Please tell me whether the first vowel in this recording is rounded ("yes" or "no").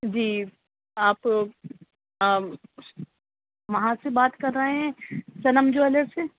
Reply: no